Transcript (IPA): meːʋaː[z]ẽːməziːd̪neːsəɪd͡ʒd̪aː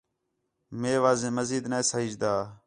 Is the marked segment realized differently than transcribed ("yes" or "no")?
no